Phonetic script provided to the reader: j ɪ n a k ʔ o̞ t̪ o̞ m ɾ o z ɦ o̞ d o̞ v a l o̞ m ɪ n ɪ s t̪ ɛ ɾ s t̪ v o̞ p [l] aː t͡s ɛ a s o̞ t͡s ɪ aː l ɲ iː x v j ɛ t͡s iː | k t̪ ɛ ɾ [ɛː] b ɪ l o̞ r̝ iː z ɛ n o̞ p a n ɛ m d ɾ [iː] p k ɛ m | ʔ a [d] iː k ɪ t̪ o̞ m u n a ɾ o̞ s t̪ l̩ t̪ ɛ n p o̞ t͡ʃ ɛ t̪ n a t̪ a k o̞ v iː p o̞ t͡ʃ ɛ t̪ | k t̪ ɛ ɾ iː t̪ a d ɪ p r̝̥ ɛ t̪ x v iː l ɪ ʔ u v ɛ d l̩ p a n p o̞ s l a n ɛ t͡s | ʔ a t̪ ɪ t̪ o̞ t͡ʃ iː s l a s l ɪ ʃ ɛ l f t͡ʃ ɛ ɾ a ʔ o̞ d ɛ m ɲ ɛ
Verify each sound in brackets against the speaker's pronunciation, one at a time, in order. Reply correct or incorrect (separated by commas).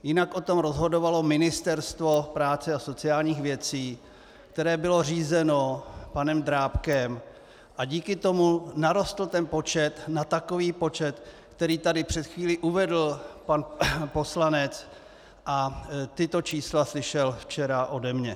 incorrect, correct, incorrect, incorrect